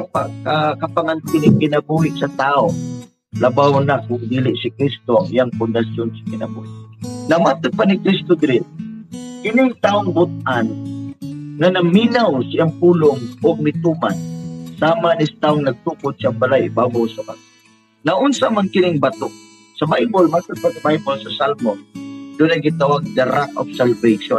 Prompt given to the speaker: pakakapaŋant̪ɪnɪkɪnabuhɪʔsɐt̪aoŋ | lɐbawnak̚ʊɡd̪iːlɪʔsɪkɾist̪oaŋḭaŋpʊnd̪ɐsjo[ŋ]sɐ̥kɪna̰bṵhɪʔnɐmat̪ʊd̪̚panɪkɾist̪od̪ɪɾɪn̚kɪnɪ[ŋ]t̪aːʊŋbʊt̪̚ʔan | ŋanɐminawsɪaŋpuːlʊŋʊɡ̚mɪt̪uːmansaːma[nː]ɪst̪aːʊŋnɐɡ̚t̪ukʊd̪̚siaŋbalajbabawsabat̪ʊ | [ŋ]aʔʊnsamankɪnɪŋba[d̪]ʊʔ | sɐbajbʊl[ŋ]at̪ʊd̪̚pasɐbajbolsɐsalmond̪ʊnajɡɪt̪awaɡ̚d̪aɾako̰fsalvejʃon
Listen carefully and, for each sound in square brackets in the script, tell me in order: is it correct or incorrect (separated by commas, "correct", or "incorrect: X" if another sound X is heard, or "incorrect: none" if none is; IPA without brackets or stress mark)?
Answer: incorrect: n, correct, incorrect: n, incorrect: n, incorrect: t̪, incorrect: m